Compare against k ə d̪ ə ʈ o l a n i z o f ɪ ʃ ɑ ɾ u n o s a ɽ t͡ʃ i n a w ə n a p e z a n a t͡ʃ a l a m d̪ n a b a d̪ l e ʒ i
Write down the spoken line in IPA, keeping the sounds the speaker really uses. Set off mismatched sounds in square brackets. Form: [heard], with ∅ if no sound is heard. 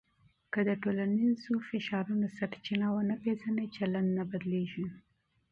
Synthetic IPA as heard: k ə d̪ ə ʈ o l a n i z o f ɪ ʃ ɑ ɾ u n o s a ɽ t͡ʃ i n a w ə n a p e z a n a t͡ʃ a l a [n] d̪ n a b a d̪ l e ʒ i